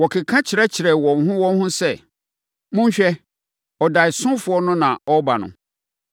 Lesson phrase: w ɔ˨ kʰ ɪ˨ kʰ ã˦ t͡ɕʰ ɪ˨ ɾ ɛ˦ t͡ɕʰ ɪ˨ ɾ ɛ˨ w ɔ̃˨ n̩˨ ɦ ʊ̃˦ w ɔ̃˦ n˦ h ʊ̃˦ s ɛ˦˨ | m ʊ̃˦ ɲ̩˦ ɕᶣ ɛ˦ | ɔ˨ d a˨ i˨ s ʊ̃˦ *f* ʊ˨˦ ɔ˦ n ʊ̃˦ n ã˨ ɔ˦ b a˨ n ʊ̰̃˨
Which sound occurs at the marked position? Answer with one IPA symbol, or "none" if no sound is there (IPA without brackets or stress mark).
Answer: f